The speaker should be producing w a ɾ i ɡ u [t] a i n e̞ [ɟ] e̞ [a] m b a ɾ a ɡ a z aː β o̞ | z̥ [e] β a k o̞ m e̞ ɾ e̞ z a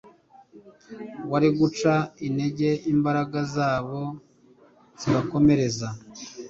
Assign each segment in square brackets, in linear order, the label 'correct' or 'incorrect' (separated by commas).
incorrect, correct, incorrect, incorrect